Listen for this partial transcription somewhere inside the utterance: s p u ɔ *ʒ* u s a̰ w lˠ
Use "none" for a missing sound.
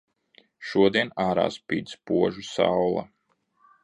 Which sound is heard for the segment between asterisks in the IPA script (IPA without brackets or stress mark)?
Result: ʒ